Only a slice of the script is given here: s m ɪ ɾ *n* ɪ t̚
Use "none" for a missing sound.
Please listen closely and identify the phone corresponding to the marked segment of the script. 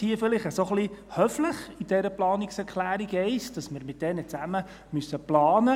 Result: m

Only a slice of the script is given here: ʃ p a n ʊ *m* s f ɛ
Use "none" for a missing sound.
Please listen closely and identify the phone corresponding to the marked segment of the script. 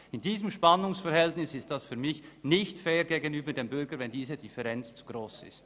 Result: ŋ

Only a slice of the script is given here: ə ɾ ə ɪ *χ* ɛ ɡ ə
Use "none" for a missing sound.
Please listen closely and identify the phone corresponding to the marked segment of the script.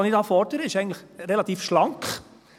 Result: ʃ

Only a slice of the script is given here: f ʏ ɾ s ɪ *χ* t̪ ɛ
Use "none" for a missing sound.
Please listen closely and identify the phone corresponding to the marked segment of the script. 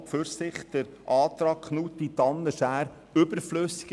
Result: χ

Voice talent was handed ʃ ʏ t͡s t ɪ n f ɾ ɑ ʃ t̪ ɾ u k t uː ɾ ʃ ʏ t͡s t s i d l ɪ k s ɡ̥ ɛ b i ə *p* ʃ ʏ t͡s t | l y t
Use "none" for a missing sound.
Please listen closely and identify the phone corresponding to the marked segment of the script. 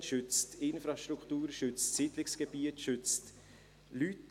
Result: t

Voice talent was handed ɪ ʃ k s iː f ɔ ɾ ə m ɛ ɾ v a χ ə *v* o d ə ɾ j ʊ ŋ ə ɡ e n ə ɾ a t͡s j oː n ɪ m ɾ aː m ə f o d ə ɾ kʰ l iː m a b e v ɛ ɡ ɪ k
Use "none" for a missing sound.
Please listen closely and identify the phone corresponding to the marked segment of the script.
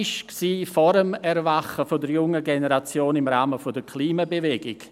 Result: f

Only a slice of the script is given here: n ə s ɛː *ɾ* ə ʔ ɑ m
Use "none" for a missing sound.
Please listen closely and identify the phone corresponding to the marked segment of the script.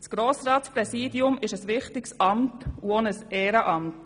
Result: ɾ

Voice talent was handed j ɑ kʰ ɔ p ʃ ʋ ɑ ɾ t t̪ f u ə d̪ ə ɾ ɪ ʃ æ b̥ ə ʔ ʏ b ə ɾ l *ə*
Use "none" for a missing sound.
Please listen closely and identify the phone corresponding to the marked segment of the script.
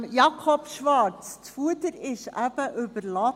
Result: ɑ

